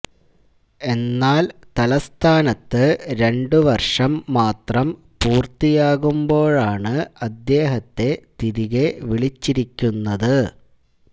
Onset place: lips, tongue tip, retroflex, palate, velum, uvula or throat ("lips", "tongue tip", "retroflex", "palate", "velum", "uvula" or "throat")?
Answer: tongue tip